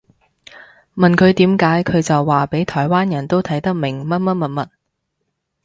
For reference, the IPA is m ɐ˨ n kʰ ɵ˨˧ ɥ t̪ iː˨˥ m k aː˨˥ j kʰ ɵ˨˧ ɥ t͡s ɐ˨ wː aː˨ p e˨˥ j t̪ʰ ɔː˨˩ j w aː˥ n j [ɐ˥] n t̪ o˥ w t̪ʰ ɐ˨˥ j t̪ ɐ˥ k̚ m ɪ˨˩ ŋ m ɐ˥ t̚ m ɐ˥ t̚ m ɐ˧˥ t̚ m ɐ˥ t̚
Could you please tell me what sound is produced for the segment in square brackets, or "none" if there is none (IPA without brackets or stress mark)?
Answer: ɐ˨˩